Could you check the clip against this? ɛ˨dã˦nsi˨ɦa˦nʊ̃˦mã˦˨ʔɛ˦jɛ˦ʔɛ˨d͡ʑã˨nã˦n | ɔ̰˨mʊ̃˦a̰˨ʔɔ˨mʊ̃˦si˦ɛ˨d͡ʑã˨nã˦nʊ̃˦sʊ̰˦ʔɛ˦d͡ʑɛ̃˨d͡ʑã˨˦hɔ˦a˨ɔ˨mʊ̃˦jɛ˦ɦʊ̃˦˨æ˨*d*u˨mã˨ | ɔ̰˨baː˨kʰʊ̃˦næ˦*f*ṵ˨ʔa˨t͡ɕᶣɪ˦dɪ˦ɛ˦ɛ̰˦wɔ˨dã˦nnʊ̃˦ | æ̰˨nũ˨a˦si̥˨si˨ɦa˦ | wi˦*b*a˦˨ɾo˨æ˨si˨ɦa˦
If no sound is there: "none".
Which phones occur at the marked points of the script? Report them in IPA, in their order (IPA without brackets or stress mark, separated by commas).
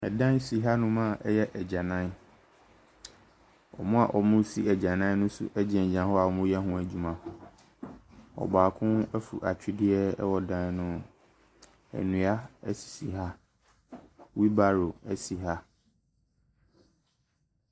d͡ʑ, f, b